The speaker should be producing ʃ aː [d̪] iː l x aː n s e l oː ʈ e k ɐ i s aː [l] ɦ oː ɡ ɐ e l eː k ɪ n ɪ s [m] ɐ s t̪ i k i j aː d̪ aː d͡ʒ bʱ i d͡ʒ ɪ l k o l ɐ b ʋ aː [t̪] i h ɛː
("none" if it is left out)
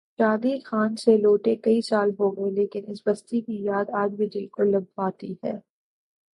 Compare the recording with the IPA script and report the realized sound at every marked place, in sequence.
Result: d̪, l, b, t̪

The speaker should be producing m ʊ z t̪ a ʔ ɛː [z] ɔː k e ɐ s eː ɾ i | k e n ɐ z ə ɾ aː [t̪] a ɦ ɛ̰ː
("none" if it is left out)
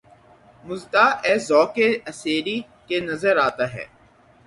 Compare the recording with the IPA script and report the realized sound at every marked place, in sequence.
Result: z, t̪

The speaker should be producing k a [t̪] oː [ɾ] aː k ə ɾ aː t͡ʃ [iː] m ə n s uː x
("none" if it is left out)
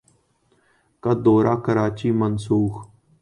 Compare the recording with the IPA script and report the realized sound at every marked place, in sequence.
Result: d̪, ɾ, iː

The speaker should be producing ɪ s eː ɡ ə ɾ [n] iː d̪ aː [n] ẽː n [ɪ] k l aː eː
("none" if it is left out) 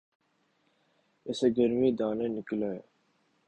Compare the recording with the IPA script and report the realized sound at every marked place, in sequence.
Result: m, n, ɪ

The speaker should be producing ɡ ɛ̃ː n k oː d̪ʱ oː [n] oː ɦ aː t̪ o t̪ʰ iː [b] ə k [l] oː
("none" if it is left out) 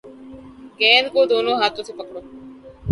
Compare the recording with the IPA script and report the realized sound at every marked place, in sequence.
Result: n, p, ɽ

